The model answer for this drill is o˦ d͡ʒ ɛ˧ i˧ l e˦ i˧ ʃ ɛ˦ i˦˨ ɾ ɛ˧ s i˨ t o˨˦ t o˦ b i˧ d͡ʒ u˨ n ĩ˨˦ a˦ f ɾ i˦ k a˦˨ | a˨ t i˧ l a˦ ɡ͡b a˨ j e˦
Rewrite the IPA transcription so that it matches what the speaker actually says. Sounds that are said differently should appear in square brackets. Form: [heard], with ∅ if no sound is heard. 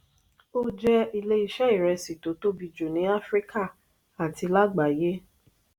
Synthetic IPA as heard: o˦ d͡ʒ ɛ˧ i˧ l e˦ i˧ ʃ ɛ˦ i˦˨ ɾ ɛ˧ s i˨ t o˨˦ t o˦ b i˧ d͡ʒ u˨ n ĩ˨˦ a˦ f ɾ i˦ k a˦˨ | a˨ t i˧ l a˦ ɡ͡b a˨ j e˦

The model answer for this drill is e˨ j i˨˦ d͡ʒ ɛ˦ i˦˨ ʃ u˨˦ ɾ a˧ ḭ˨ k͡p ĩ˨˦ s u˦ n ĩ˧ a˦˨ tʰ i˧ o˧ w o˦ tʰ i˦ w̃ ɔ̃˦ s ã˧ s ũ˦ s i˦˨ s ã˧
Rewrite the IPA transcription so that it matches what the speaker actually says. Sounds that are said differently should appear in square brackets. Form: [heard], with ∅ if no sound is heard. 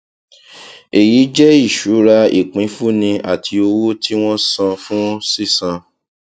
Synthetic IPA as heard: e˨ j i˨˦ d͡ʒ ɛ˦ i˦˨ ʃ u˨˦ ɾ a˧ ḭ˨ k͡p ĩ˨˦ [f] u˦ n ĩ˧ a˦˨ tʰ i˧ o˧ w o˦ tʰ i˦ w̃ ɔ̃˦ s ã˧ [f] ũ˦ s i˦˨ s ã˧

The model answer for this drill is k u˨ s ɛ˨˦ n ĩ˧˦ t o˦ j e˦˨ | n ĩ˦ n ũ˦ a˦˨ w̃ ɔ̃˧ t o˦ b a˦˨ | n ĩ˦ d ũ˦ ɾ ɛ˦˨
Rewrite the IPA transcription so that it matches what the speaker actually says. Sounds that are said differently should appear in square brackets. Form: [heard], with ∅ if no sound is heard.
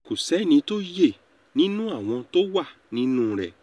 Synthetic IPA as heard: k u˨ s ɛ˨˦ n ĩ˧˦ t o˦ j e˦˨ | n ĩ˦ n ũ˦ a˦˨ w̃ ɔ̃˧ t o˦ [w] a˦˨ | n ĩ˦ [n] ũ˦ ɾ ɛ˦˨

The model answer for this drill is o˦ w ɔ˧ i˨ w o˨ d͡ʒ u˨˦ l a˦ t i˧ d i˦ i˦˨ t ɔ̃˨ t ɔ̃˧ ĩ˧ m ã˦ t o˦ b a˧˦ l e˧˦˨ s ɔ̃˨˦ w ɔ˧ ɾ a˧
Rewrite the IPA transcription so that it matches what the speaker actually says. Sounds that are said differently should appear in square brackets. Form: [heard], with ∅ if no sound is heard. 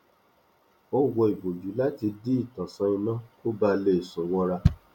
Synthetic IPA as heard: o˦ w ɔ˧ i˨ [b] o˨ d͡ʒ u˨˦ l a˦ t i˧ d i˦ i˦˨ t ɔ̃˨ [s] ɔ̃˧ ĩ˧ [n] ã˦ [k] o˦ b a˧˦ l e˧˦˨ s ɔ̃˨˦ w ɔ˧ ɾ a˧

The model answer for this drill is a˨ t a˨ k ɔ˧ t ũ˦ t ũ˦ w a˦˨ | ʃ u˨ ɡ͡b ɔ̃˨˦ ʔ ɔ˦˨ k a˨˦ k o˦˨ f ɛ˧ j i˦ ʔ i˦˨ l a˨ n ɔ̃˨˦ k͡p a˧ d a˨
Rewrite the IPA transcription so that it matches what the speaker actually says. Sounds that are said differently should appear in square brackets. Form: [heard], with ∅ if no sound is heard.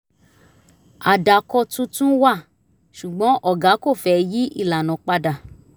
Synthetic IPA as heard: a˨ [d] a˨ k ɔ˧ t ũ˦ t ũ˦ w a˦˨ | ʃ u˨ ɡ͡b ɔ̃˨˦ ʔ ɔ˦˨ [ɡ] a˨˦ k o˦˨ f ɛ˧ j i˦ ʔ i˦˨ l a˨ n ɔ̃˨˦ k͡p a˧ d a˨

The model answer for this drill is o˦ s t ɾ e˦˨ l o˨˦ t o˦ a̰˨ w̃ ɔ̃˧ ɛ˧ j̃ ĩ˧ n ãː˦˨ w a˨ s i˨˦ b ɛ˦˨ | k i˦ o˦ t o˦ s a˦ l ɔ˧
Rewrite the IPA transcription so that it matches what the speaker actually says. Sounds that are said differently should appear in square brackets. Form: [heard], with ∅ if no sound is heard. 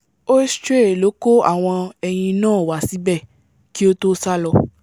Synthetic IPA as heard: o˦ s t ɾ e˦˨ l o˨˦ [k] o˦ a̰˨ w̃ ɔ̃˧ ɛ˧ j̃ ĩ˧ n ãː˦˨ w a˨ s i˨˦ b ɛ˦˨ | k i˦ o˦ t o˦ s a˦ l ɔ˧

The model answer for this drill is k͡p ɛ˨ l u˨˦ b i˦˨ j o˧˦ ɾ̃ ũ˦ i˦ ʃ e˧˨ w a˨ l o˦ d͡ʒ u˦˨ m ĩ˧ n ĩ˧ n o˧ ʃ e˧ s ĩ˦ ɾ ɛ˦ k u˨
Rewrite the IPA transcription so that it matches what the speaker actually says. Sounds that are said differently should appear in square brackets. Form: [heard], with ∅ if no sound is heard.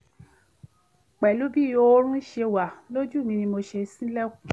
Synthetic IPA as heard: k͡p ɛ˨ l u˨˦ b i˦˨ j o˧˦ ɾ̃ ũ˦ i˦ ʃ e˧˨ w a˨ l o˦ d͡ʒ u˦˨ m ĩ˧ n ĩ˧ [m] o˧ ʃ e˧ s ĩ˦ [l] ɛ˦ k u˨

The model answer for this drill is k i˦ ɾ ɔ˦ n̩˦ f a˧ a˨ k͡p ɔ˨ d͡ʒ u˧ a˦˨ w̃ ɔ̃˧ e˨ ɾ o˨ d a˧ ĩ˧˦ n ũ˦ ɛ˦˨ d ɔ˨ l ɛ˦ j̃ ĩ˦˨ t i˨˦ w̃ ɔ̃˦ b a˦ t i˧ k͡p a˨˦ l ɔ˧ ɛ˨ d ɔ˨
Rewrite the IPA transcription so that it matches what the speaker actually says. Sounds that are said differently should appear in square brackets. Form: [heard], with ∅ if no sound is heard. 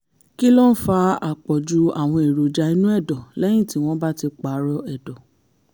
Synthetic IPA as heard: k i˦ [l] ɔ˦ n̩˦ f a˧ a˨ k͡p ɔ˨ d͡ʒ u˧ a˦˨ w̃ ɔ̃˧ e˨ ɾ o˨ [d͡ʒ] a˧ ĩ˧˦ n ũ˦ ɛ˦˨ d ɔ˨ l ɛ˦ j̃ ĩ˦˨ t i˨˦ w̃ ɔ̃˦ b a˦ t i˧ k͡p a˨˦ [ɾ] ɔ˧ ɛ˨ d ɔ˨

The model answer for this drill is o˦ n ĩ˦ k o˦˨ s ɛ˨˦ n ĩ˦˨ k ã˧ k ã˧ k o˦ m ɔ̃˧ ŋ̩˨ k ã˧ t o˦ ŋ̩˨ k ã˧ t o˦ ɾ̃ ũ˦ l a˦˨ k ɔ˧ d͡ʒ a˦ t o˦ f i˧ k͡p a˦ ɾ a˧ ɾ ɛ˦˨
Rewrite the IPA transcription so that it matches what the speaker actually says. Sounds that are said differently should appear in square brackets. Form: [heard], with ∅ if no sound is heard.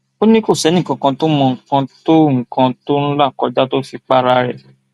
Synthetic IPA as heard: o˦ n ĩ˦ k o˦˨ s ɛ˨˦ n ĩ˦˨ k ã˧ k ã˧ [t] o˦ m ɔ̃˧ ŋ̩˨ k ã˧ t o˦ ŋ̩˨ k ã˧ t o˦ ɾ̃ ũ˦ l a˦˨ k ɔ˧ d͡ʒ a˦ t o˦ f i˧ k͡p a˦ ɾ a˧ ɾ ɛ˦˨

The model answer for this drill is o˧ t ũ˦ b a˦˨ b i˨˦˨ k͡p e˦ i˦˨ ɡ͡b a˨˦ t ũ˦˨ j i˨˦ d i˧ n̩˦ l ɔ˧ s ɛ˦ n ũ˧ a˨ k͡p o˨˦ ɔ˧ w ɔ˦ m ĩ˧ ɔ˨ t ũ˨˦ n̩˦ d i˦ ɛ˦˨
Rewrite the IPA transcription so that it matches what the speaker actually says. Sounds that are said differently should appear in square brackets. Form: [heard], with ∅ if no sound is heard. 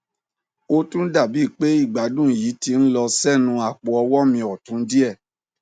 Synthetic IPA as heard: o˧ t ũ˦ [d] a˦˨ b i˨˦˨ k͡p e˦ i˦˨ ɡ͡b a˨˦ [d] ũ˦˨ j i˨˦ [t] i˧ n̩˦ l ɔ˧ s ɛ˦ n ũ˧ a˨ k͡p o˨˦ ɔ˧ w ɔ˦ m ĩ˧ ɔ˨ t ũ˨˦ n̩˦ d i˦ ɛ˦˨

